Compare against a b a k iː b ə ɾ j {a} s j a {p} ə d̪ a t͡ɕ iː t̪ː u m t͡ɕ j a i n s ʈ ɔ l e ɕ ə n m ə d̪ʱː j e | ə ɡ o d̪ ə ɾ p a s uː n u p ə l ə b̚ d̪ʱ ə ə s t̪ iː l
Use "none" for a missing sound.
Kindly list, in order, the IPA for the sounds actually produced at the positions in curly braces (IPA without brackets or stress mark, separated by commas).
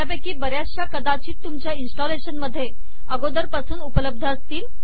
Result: a, k